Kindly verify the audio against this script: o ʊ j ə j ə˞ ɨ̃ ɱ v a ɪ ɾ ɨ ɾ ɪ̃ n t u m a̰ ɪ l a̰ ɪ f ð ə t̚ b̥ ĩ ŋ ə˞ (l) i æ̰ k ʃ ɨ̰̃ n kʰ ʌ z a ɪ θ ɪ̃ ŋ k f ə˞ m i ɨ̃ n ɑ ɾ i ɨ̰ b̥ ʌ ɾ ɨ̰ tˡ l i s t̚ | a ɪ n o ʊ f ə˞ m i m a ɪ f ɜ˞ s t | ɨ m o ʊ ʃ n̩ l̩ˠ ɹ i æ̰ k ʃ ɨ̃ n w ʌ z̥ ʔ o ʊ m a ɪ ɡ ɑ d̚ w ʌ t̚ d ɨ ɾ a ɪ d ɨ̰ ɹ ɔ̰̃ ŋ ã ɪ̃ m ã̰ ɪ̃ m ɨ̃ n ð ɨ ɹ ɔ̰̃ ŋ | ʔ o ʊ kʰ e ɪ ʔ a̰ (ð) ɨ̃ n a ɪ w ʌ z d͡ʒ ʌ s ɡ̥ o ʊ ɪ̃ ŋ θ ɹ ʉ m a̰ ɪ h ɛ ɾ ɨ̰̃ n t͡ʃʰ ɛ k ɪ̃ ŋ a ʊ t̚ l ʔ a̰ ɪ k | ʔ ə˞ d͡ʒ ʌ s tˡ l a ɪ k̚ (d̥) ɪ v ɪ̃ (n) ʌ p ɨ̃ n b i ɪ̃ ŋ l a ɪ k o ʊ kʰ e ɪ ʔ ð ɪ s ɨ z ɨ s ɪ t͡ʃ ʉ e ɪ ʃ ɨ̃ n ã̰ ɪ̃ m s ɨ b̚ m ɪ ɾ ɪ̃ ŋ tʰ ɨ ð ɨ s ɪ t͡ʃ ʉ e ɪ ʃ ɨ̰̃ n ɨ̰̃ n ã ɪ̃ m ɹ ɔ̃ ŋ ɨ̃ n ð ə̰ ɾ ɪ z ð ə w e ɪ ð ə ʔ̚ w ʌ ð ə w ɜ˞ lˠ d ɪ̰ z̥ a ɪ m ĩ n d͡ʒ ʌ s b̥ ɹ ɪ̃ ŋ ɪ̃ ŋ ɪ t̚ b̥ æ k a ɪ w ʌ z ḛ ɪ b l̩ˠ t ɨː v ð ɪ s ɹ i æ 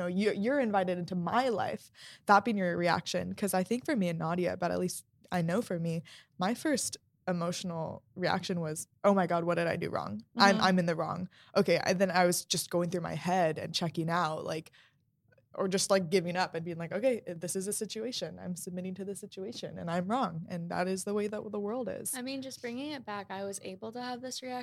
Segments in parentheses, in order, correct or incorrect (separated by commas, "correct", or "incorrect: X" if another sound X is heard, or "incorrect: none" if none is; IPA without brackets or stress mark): incorrect: ɹ, correct, incorrect: ɡ̥, incorrect: ŋ